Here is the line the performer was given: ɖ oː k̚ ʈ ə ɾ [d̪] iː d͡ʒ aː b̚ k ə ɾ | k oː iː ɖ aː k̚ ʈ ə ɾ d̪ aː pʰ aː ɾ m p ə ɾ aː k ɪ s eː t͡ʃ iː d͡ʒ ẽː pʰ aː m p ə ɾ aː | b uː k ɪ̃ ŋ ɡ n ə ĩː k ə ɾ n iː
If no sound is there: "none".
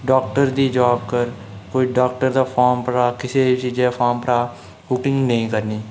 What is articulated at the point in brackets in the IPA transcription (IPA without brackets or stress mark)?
d̪